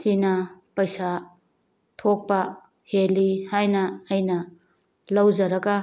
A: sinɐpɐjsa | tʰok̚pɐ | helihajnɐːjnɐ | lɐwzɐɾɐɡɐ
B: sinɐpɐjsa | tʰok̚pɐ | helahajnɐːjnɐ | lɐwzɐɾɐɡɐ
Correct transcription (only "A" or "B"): A